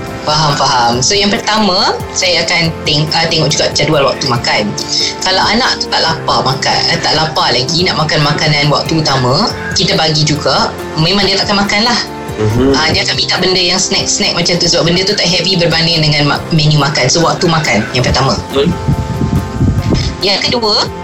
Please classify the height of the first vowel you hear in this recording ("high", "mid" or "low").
low